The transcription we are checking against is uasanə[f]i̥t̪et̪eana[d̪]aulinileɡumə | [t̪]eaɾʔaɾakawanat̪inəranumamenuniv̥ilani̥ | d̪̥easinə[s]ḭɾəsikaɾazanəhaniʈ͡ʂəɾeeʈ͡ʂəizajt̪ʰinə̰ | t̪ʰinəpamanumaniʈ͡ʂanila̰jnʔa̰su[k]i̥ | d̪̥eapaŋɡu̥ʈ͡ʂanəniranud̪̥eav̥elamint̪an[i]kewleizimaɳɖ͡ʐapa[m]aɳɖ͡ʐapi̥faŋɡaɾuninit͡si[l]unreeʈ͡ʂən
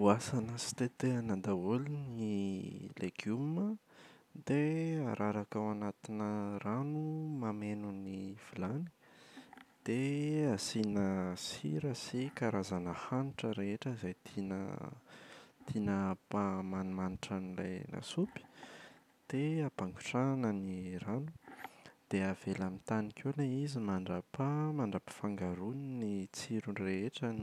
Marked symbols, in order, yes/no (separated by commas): no, yes, no, yes, no, yes, yes, no